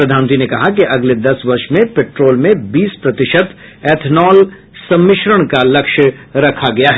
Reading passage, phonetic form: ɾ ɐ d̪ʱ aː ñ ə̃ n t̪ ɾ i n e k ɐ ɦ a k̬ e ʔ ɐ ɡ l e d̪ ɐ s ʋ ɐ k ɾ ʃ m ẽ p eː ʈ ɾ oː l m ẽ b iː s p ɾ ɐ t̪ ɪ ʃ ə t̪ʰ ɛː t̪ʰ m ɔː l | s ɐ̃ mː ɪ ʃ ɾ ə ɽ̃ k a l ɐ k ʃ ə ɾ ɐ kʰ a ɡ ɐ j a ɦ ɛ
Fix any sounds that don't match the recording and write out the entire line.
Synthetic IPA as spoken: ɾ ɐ d̪ʱ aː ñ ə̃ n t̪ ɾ i n e k ɐ ɦ a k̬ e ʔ ɐ ɡ l e d̪ ɐ s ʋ ɐ ɾ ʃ m ẽ p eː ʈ ɾ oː l m ẽ b iː s p ɾ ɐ t̪ ɪ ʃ ə t̪ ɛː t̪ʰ n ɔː l | s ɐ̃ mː ɪ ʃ ɾ ə ɽ̃ k a l ɐ k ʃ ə ɾ ɐ kʰ a ɡ ɐ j a ɦ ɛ